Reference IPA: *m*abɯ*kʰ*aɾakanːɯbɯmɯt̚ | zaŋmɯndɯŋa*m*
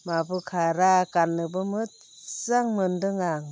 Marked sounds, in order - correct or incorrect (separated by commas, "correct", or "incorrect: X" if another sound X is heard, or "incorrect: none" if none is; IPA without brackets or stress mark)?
correct, correct, incorrect: ŋ